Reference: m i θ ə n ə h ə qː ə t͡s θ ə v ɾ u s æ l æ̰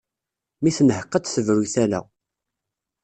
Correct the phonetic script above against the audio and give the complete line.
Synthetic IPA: m i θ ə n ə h ə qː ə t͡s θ ə v ɾ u θ æ l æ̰

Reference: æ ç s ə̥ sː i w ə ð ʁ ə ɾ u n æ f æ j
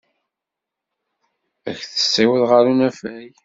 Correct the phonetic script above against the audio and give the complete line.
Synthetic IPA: æ ç θ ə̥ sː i w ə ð ʁ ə ɾ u n æ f æ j

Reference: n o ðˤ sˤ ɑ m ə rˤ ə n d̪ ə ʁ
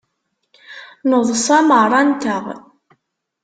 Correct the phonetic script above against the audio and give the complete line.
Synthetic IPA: n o ðˤ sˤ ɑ m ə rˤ ɑ n t̪ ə ʁ

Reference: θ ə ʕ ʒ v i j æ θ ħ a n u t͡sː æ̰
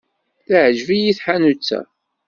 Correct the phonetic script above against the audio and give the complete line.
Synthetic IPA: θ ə ʕ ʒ v i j i θ ħ a n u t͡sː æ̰

